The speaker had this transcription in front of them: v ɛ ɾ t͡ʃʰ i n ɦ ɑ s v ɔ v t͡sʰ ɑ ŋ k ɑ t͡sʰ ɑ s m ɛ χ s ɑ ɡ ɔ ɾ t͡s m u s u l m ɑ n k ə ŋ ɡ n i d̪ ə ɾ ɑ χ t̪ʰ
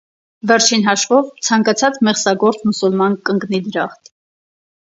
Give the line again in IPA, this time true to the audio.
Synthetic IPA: v ɛ ɾ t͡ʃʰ i n ɦ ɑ ʃ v ɔ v t͡sʰ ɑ ŋ k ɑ t͡sʰ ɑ t͡s m ɛ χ s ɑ ɡ ɔ ɾ t͡s m u s u l m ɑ n k ə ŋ ɡ n i d̪ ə ɾ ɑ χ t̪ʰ